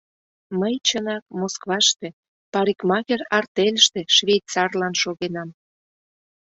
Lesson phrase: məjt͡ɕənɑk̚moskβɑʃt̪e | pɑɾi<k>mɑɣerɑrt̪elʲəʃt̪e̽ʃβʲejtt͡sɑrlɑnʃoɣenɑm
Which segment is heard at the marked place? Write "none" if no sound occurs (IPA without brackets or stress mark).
k